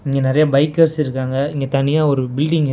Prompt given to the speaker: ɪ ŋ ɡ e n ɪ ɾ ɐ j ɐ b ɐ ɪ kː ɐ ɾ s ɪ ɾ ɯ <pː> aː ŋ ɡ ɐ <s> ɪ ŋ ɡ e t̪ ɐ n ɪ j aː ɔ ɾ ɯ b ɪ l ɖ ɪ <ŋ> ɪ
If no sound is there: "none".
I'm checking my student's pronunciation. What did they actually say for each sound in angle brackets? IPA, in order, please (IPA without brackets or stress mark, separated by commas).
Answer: kː, none, ŋ